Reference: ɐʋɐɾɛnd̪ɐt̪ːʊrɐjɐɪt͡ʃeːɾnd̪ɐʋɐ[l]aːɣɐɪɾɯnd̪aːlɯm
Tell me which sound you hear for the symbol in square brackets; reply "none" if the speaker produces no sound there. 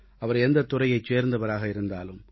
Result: ɾ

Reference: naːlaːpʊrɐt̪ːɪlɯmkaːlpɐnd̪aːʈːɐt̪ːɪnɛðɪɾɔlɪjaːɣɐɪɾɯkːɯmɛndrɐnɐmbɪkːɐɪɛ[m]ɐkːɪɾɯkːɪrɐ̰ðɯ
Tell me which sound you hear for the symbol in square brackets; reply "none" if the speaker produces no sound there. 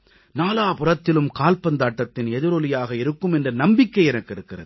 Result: n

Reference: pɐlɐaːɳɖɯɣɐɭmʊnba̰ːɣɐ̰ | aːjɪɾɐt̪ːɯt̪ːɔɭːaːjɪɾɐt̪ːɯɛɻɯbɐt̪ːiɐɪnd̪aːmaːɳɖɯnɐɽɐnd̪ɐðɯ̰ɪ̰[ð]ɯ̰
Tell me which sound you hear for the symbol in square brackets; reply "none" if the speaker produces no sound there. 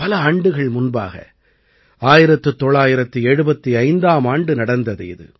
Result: ð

